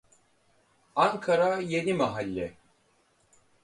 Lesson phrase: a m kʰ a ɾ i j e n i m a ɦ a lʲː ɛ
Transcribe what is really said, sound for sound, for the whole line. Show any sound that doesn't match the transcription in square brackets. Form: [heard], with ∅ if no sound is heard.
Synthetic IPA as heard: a [ŋ] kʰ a ɾ [a] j e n i m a ɦ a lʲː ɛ